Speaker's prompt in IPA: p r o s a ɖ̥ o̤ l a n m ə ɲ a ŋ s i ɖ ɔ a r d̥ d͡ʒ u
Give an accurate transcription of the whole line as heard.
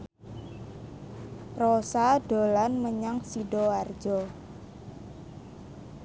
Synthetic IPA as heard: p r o s a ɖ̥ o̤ l a n m ə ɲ a ŋ s i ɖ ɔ a r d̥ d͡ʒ ɔ